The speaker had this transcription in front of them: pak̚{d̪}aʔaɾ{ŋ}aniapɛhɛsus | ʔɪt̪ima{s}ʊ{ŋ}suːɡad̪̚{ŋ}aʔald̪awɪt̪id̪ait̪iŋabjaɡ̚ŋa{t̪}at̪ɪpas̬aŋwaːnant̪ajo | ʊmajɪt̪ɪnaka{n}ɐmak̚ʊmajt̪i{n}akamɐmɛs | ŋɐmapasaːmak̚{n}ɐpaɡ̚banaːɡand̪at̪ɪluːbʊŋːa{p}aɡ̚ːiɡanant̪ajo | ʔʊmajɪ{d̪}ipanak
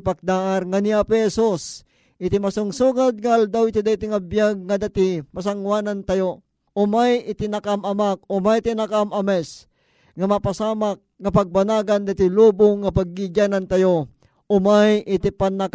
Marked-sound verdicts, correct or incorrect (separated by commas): correct, correct, correct, correct, correct, incorrect, incorrect, correct, incorrect, correct, incorrect